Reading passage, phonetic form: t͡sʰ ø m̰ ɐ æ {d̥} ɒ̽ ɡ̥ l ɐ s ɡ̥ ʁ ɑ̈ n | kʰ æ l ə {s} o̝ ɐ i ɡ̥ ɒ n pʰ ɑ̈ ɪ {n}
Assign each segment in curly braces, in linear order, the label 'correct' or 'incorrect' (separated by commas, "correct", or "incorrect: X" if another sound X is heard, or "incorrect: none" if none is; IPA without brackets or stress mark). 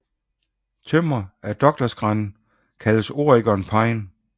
correct, correct, correct